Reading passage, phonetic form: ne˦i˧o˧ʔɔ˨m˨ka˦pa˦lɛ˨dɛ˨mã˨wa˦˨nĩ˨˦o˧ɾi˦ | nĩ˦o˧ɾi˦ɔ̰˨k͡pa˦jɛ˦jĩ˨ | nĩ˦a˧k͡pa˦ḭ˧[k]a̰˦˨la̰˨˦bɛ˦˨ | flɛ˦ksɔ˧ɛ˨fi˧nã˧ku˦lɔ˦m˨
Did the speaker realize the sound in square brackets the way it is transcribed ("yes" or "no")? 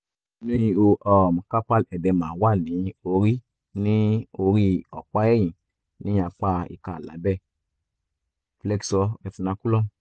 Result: yes